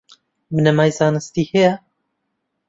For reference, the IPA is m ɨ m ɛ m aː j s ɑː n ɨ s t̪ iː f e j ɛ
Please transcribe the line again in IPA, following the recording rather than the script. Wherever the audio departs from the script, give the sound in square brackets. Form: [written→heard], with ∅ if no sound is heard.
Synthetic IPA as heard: m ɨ [m→n] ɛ m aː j [s→z] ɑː n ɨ s t̪ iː [f→h] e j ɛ